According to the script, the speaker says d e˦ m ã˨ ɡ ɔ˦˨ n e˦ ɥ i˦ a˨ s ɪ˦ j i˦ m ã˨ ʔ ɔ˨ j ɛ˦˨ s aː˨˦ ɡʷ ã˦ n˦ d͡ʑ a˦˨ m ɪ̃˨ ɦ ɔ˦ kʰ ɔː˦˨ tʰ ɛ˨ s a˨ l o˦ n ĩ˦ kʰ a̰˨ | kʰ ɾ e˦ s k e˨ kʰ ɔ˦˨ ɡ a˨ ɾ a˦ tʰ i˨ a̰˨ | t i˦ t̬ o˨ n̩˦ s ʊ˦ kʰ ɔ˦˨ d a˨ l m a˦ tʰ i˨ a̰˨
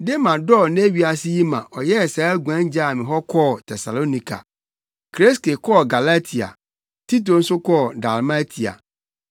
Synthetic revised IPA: d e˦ m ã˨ d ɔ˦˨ n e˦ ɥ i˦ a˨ s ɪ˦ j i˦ m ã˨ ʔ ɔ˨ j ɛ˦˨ s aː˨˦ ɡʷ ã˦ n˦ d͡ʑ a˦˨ m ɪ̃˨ ɦ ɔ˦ kʰ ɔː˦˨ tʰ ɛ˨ s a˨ l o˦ n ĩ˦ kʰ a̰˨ | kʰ ɾ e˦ s k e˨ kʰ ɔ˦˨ ɡ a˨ l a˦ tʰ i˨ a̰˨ | t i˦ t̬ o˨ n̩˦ s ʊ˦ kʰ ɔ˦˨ d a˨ l m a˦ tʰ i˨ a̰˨